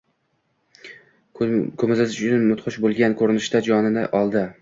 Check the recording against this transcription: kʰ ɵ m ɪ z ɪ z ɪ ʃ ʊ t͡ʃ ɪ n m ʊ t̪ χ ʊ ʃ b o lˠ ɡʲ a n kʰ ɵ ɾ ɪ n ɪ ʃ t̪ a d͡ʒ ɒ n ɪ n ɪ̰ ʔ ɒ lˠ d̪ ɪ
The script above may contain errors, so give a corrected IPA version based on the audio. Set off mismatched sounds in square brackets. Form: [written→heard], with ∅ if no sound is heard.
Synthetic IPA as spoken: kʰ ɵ m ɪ z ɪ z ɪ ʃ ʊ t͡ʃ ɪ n m ʊ t̪ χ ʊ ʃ b o lˠ ɡʲ a n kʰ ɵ ɾ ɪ n ɪ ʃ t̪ a d͡ʒ ɒ n ɪ n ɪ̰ ʔ ɒ lˠ d̪ ɪ